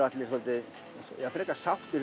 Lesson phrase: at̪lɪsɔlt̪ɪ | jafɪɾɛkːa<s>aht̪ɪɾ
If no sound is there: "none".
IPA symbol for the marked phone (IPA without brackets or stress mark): s